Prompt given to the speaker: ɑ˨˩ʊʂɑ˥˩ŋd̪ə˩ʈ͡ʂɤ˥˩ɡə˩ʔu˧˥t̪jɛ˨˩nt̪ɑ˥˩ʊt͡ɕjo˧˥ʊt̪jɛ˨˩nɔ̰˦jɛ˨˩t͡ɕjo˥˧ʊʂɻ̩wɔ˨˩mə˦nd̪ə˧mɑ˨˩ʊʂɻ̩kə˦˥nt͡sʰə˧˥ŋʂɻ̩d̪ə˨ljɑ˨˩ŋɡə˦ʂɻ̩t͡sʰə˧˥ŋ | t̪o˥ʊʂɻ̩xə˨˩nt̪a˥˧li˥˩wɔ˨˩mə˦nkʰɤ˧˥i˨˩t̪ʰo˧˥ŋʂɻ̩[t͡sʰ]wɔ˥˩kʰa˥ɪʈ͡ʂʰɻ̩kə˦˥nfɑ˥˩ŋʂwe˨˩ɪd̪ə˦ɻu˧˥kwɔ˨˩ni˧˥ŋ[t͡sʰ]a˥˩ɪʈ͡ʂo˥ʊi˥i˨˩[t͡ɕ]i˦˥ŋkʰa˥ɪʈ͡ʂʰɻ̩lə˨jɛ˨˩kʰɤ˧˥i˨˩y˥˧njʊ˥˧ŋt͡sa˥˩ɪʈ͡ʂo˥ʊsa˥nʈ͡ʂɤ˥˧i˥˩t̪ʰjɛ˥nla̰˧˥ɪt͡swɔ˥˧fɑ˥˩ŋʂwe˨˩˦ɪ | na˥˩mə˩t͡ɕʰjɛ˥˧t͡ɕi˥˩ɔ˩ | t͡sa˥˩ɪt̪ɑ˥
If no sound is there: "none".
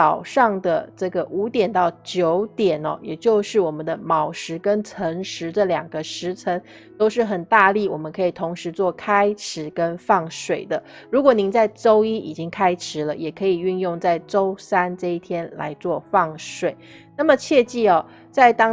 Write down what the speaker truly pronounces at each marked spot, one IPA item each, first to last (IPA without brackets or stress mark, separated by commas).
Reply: t͡s, t͡s, t͡ɕ